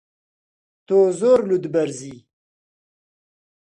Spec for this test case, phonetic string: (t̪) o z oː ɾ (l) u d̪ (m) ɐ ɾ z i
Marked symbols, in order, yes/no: yes, yes, no

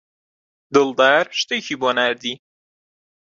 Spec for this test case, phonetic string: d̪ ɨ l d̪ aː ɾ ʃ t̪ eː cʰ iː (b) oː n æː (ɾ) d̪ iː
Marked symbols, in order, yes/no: yes, yes

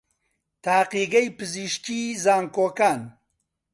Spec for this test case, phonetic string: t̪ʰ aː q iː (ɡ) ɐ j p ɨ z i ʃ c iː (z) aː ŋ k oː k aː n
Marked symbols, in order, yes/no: yes, yes

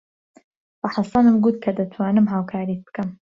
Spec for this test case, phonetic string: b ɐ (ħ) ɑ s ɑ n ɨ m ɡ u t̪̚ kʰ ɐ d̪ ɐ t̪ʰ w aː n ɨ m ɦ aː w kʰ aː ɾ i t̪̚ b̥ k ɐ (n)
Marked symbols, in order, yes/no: yes, no

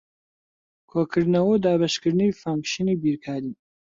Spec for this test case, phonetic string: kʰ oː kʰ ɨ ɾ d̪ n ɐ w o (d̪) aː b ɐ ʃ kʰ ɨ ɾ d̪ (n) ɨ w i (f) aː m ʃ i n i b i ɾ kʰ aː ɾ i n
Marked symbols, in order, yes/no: yes, yes, yes

